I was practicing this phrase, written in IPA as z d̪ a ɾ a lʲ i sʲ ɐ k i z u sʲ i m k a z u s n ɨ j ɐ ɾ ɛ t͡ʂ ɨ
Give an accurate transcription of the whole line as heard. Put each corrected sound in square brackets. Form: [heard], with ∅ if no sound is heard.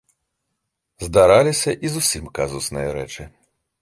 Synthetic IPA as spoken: z d̪ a ɾ a lʲ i sʲ ɐ [ʔ] i z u sʲ i m k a z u s n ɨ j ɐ ɾ ɛ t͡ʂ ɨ